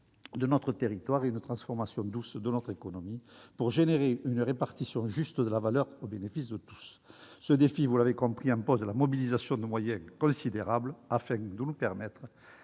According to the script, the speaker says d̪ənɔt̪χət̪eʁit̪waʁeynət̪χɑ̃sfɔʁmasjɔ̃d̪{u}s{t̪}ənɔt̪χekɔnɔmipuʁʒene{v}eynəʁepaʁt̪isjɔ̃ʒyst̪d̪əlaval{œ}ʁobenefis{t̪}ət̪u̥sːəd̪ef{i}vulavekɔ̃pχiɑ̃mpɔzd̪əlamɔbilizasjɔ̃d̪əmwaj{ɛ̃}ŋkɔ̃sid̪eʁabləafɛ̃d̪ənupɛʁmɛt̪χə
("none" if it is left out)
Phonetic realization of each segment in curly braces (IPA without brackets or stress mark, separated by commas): u, d̪, ʁ, œ, d̪, i, ɛ̃